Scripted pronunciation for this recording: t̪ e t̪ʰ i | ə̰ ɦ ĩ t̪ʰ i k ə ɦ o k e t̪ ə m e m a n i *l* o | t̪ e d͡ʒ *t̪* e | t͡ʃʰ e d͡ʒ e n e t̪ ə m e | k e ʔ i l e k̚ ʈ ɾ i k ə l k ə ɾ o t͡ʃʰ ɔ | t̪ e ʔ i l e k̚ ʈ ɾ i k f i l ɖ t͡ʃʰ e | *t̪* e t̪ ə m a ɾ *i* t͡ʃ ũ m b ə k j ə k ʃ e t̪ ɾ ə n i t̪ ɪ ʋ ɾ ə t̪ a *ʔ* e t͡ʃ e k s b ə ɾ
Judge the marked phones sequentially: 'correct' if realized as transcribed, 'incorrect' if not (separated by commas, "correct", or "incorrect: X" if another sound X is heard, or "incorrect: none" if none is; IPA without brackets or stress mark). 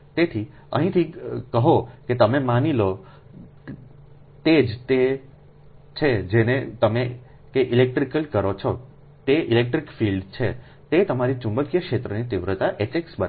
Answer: correct, correct, correct, correct, correct